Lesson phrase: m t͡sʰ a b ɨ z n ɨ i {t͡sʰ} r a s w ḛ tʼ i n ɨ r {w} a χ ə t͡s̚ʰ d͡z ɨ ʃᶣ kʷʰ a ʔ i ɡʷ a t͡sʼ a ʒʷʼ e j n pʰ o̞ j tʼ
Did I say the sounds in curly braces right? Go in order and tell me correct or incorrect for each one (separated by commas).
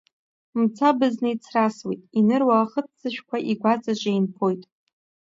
correct, correct